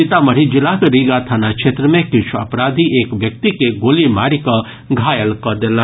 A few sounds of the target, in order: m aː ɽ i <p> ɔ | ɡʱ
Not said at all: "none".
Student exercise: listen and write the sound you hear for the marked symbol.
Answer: k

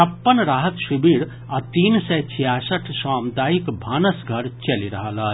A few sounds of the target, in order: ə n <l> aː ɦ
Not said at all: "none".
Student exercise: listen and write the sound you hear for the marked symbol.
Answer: ɾ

